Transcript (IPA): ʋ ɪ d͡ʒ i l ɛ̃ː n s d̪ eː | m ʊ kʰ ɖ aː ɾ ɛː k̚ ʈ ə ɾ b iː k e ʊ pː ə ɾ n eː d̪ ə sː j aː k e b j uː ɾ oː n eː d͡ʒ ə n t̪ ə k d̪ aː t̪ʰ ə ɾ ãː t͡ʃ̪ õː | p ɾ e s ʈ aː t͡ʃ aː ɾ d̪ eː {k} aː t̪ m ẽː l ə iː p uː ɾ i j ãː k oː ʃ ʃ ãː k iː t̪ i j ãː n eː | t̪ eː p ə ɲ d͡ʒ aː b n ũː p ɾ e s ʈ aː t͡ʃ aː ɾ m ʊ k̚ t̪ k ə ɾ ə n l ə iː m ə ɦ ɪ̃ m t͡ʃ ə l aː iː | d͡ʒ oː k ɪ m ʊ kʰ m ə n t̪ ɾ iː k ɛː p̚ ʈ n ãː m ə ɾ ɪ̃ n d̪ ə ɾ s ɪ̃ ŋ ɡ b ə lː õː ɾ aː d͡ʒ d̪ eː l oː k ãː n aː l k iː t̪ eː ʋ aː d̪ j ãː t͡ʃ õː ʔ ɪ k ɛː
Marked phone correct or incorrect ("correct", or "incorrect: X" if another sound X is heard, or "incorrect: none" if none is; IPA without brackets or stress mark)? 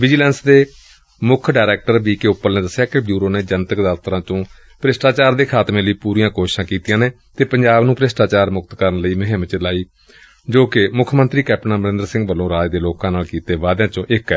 incorrect: kʰ